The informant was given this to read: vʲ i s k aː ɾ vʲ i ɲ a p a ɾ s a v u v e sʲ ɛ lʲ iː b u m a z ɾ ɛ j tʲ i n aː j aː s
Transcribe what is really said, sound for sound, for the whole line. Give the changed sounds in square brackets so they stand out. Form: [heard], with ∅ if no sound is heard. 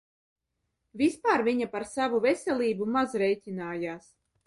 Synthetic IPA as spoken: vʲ i s [p] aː ɾ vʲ i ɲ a p a ɾ s a v u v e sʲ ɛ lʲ iː b u m a z ɾ ɛ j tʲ i n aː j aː s